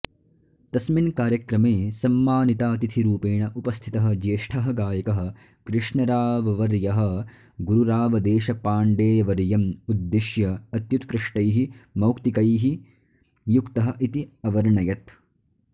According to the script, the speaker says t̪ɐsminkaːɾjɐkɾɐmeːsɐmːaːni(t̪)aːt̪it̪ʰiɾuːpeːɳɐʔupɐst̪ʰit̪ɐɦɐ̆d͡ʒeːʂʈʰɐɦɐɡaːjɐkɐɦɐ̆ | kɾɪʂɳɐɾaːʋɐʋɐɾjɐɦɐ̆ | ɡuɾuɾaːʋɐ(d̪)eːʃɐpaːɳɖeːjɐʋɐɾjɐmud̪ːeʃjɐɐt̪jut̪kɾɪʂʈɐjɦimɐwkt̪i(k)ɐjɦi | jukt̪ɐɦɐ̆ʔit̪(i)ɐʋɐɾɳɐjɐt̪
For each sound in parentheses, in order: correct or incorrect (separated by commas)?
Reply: correct, correct, correct, correct